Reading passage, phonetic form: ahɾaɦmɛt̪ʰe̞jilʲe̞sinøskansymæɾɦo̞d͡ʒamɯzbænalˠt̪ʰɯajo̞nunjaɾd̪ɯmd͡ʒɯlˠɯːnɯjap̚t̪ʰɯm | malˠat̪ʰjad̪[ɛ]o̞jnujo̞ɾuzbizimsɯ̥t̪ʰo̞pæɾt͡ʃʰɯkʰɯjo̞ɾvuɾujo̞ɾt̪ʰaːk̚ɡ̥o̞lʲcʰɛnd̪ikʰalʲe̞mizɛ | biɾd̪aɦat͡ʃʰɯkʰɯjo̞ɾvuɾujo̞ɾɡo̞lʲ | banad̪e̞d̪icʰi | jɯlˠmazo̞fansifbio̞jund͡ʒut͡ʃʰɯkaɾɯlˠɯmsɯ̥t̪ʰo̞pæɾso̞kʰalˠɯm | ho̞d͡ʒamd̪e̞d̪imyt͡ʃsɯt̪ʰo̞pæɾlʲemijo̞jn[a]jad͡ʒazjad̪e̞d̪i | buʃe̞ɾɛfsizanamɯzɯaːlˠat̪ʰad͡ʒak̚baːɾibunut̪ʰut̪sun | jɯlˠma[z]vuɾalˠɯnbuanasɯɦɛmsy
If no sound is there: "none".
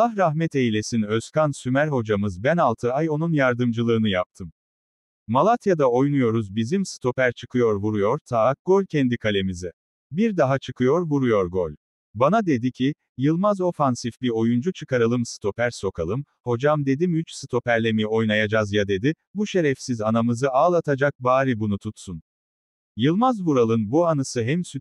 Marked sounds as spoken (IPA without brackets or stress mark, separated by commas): a, a, z